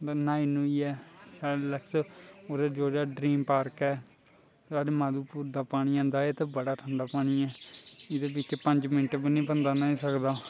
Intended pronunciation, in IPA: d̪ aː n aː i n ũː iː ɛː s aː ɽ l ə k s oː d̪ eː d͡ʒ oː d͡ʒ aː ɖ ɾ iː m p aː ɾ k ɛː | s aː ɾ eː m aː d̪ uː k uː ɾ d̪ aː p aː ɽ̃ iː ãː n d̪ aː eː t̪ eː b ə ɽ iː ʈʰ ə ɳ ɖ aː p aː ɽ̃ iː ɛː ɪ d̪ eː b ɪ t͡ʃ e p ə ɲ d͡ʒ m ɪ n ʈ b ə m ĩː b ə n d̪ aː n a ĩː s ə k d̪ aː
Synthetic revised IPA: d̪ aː n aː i n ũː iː ɛː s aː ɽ l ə k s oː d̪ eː d͡ʒ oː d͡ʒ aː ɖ ɾ iː m p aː ɾ k ɛː | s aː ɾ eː m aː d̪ uː p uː ɾ d̪ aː p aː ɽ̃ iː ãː n d̪ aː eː t̪ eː b ə ɽ aː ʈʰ ə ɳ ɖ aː p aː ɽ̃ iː ɛː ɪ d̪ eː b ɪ t͡ʃ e p ə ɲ d͡ʒ m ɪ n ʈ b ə n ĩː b ə n d̪ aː n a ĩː s ə k d̪ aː

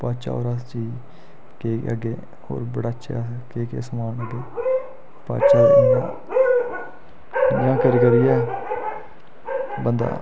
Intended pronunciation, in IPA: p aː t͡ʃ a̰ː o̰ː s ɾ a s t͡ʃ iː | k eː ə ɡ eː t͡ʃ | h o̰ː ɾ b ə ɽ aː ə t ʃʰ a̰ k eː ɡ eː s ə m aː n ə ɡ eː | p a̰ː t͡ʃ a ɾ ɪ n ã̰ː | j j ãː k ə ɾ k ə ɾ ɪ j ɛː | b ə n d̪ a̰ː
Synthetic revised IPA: p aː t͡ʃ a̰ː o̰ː ɾ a s t͡ʃ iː | k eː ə ɡ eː | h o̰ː ɾ b ə ɽ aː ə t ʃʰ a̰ k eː k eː s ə m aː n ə ɡ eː | p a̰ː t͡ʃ a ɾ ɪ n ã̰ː | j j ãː k ə ɾ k ə ɾ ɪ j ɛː | b ə n d̪ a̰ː

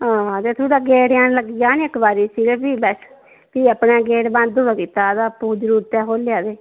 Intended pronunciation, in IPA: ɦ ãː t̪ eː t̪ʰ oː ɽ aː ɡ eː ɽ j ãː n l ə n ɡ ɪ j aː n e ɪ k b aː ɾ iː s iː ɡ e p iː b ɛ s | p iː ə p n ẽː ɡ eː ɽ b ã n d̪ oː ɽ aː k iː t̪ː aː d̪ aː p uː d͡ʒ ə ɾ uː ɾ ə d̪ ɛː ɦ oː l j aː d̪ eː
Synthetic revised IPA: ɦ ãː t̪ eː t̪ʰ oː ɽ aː ɡ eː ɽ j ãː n l ə ɡ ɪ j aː n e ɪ k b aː ɾ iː s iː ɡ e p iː b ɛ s | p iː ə p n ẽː ɡ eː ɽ b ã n d̪ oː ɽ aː k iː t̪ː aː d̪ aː p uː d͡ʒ ə ɾ uː ɾ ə t̪ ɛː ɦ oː l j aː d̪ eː

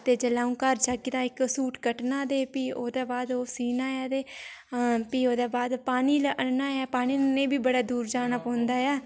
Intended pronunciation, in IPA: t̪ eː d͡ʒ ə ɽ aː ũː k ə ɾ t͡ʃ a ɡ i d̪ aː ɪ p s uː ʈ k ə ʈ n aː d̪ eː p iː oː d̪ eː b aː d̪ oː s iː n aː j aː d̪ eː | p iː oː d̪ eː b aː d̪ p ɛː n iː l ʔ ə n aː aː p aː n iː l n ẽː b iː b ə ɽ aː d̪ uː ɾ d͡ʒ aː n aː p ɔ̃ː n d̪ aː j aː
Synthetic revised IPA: t̪ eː d͡ʒ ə l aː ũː k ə ɾ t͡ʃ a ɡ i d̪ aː ɪ k s uː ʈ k ə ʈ n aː d̪ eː p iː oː d̪ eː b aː d̪ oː s iː n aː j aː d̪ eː | p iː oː d̪ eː b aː d̪ p aː n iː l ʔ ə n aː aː p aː n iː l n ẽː b iː b ə ɽ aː d̪ uː ɾ d͡ʒ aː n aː p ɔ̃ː n d̪ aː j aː

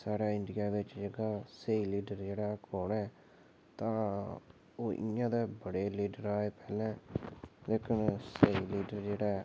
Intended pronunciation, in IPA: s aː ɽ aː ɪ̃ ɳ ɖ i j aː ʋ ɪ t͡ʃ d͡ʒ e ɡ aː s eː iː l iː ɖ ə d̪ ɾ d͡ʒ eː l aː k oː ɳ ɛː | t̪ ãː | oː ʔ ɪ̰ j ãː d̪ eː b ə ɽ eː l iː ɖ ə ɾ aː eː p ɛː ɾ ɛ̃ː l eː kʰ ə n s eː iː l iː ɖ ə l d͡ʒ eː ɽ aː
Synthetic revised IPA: s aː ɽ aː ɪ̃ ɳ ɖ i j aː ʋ ɪ t͡ʃ d͡ʒ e ɡ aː s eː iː l iː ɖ ə ɾ d͡ʒ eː ɽ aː k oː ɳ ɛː | t̪ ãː | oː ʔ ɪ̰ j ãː d̪ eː b ə ɽ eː l iː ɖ ə ɾ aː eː p ɛː l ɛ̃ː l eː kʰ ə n s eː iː l iː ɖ ə ɾ d͡ʒ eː ɽ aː

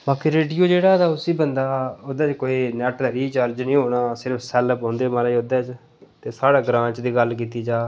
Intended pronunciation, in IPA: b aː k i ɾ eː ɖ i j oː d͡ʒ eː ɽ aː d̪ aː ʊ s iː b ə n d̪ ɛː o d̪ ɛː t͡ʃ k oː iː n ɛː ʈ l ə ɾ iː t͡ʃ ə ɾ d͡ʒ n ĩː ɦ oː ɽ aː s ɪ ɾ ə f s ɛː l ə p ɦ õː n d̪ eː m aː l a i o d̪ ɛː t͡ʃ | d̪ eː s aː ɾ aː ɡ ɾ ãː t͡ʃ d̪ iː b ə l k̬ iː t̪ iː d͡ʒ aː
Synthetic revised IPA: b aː k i ɾ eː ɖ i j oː d͡ʒ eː ɽ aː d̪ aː ʊ s iː b ə n d̪ aː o d̪ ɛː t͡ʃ k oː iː n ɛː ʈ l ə ɾ iː t͡ʃ ə ɾ d͡ʒ n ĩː ɦ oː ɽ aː s ɪ ɾ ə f s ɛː l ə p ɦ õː n d̪ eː m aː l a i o d̪ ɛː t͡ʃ | t̪ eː s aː ɽ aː ɡ ɾ ãː t͡ʃ d̪ iː ɡ ə l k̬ iː t̪ iː d͡ʒ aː

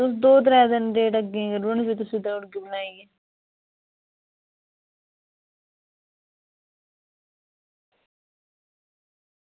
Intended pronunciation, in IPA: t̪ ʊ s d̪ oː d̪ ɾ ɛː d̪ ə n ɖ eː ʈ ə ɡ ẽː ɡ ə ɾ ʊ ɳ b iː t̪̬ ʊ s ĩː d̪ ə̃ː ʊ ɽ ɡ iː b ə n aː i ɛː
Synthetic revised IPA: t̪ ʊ s d̪ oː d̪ ɾ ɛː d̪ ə n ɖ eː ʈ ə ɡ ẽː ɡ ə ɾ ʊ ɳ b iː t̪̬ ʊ s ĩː d̪ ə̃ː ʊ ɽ ɡ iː b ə n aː i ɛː

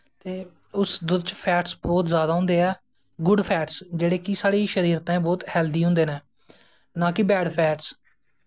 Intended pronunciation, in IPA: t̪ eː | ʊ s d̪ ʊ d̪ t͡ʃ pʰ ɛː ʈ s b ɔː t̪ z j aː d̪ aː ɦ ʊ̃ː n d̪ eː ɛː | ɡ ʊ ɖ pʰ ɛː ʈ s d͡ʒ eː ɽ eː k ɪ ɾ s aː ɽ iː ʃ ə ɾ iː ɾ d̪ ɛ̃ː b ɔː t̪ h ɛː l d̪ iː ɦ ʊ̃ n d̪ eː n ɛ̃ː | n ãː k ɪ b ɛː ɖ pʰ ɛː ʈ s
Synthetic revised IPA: t̪ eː | ʊ s d̪ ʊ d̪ t͡ʃ pʰ ɛː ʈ s b ɔː t̪ z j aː d̪ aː ɦ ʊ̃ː n d̪ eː ɛː | ɡ ʊ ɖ pʰ ɛː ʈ s d͡ʒ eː ɽ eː k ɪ s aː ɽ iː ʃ ə ɾ iː ɾ t̪ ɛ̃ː b ɔː t̪ h ɛː l d̪ iː ɦ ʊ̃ n d̪ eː n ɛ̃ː | n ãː k ɪ b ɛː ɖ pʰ ɛː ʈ s

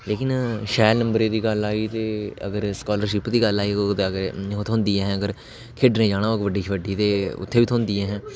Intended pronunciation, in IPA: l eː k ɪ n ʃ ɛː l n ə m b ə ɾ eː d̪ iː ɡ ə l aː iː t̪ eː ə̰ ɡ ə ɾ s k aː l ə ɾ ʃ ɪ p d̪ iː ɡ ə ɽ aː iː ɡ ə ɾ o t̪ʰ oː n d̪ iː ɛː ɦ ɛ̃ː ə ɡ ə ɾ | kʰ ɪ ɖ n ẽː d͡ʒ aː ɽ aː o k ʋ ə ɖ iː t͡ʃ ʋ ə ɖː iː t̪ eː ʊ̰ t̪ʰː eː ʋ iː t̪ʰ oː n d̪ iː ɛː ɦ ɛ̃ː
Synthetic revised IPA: l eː k ɪ n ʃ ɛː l n ə m b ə ɾ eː d̪ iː ɡ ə l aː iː t̪ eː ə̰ ɡ ə ɾ s k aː l ə ɾ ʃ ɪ p d̪ iː ɡ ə l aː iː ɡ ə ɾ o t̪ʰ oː n d̪ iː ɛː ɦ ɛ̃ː ə ɡ ə ɾ | kʰ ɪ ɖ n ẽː d͡ʒ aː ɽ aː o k ʋ ə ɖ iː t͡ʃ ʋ ə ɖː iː t̪ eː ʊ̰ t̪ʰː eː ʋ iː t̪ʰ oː n d̪ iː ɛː ɦ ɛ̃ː

